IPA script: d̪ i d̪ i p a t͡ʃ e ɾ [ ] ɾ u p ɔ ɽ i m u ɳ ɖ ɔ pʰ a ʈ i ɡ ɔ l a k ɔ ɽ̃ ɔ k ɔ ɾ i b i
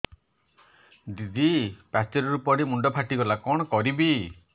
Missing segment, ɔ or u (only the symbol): ɔ